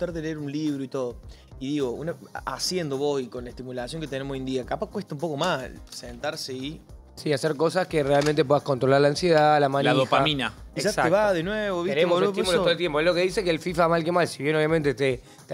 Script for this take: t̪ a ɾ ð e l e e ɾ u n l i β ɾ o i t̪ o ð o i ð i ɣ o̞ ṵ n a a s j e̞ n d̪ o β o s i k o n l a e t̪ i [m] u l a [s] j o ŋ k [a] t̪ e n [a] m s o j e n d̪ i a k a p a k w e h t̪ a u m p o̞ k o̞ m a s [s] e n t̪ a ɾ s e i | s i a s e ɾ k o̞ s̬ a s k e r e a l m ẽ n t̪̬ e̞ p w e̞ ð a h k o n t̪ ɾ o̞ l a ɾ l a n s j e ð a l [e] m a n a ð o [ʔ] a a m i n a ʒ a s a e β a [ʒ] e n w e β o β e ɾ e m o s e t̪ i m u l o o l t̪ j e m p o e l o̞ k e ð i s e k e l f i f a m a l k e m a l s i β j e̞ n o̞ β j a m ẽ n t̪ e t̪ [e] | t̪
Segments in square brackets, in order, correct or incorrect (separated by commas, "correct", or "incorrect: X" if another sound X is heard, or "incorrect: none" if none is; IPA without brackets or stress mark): correct, correct, incorrect: e, incorrect: e, correct, incorrect: a, incorrect: p, incorrect: ð, correct